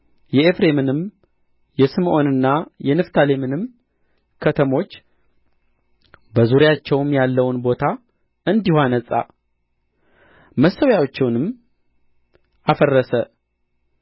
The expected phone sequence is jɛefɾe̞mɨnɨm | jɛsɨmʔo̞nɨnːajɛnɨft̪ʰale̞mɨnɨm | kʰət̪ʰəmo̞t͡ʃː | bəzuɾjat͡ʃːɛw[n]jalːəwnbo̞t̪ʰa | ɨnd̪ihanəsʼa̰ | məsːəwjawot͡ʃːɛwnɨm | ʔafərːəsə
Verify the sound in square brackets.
incorrect: m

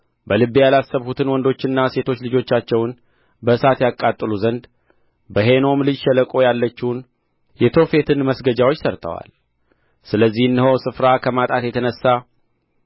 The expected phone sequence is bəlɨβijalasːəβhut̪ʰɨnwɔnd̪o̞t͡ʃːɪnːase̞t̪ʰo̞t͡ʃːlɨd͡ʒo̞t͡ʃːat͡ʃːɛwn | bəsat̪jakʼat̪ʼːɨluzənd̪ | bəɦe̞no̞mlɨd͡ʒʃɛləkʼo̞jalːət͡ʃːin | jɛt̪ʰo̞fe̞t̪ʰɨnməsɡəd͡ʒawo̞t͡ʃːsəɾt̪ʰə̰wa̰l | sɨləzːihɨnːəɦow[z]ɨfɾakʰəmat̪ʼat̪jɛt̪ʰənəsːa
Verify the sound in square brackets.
incorrect: s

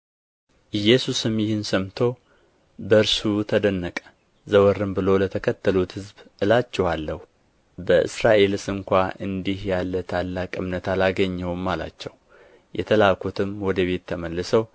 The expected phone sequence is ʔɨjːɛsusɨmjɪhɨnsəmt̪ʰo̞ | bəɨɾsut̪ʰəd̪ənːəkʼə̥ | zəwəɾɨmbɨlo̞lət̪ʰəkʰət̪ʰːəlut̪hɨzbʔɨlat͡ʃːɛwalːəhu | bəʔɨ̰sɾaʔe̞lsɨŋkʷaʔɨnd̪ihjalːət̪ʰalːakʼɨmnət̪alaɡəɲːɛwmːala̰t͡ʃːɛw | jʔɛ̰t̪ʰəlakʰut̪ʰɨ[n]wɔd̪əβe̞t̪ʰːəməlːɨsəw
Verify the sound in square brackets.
incorrect: m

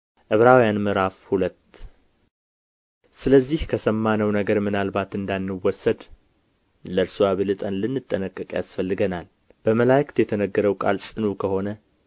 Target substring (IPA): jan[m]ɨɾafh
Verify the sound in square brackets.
correct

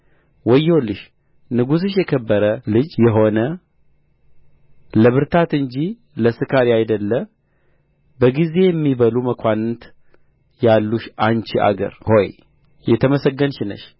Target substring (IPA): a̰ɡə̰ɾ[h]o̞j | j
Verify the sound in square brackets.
correct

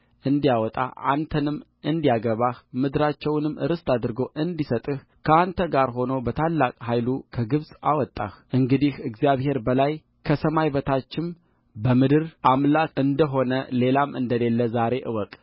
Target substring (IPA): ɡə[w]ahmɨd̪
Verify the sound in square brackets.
incorrect: β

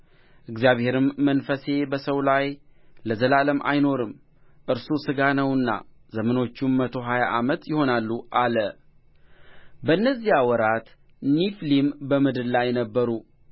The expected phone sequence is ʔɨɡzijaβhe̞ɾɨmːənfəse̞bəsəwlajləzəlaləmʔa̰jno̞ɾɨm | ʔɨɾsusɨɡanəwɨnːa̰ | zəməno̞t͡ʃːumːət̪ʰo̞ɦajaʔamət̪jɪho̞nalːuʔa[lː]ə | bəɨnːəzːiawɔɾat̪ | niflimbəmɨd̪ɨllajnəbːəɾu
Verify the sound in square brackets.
incorrect: l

